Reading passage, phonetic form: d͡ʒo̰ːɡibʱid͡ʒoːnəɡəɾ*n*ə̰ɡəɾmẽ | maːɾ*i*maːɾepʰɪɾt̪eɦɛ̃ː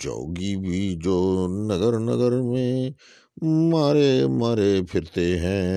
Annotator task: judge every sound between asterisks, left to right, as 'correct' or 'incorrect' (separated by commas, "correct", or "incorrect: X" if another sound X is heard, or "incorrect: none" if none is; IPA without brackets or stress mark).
correct, incorrect: e